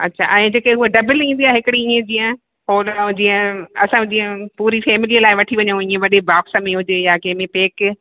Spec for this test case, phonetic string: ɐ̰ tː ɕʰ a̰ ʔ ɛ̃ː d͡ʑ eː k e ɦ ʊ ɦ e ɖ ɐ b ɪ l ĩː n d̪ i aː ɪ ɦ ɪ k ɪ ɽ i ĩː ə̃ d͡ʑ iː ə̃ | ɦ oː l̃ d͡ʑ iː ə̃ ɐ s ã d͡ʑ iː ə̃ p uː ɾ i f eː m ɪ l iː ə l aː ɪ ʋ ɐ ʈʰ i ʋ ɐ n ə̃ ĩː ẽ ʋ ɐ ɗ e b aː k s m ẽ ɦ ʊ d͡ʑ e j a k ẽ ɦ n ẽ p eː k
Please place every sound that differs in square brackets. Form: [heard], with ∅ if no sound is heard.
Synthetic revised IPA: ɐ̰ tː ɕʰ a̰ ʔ ɛ̃ː d͡ʑ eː k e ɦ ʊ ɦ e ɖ ɐ b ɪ l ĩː n d̪ i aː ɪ ɦ ɪ k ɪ ɽ i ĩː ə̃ d͡ʑ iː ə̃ | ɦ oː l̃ d͡ʑ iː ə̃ ɐ s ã d͡ʑ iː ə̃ p uː ɾ i f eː m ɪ l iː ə l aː ɪ ʋ ɐ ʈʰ i ʋ ɐ [ɲ] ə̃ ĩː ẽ ʋ ɐ ɗ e b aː k s m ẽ ɦ ʊ d͡ʑ e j a k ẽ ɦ [m] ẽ p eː k